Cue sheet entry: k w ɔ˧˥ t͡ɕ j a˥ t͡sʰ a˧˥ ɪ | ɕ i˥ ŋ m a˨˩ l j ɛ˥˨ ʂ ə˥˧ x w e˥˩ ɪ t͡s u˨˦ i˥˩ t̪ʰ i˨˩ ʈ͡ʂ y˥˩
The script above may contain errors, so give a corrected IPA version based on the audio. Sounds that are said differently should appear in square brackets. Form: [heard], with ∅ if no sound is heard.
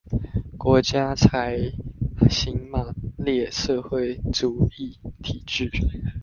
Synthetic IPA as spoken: k w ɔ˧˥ t͡ɕ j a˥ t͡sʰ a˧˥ ɪ | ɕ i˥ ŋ m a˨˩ l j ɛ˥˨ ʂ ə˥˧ x w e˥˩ ɪ t͡s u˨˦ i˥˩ t̪ʰ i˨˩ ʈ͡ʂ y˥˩

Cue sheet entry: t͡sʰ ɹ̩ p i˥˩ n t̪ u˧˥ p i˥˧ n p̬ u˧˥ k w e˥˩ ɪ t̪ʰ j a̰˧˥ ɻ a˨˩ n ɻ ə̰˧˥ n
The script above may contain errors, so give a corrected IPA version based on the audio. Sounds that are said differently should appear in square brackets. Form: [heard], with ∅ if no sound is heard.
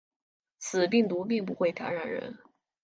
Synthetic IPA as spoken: t͡sʰ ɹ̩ p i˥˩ [ŋ] t̪ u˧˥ p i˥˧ [ŋ] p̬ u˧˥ [x] w e˥˩ ɪ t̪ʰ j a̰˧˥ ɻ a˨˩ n ɻ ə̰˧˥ n

